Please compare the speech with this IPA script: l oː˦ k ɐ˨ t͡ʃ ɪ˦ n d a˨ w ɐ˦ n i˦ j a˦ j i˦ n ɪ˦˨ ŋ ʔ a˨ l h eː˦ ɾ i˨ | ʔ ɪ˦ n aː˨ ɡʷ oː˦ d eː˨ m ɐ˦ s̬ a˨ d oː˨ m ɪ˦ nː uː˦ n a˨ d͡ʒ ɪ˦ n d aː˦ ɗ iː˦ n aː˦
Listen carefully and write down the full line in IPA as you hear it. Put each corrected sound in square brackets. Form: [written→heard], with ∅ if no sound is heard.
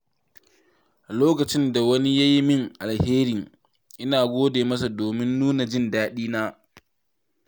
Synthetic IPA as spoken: l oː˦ k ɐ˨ t͡ʃ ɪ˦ n d a˨ w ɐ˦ n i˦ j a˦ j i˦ [n→m] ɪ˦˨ ŋ ʔ a˨ l h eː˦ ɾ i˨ | ʔ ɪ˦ n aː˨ ɡʷ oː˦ d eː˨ m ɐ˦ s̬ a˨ d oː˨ m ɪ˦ nː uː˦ n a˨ d͡ʒ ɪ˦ n d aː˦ ɗ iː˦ n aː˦